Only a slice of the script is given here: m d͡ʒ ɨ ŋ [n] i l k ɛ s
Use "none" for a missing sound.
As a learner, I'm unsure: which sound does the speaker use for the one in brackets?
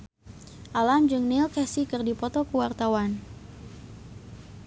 n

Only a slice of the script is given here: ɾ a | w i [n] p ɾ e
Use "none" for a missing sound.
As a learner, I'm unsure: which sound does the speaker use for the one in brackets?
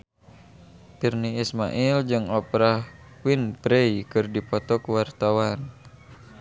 n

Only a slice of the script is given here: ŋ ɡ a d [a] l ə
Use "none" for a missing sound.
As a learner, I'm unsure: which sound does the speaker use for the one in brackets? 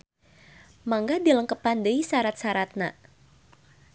i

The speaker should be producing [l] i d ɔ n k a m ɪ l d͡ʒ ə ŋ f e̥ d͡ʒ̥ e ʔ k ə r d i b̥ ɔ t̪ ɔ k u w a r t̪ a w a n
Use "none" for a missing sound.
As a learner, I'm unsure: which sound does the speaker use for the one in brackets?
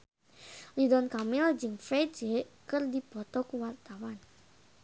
l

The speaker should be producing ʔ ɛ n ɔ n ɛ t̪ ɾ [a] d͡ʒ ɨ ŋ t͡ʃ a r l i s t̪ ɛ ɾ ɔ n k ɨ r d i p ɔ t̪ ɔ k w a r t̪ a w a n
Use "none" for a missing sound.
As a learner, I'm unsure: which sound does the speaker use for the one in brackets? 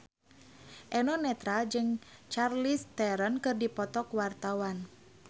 a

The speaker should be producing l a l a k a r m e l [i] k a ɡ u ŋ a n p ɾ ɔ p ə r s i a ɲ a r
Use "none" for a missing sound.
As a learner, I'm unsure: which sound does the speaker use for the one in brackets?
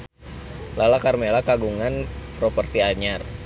a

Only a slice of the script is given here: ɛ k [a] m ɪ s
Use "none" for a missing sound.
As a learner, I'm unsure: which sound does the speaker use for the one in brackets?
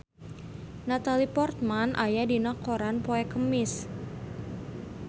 ə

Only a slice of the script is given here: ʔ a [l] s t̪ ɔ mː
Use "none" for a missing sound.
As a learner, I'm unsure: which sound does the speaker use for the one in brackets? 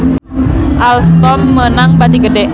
l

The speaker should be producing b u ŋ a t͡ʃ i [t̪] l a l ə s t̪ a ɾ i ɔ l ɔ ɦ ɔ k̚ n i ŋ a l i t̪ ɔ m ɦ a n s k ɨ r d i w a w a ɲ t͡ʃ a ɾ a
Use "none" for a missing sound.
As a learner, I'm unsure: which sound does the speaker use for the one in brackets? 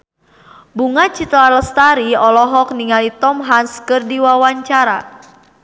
t̪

